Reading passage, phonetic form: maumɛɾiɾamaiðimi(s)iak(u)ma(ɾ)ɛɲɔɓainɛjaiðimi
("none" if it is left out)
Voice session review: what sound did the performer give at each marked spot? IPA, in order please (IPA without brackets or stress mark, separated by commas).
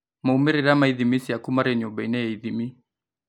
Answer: s, u, ɾ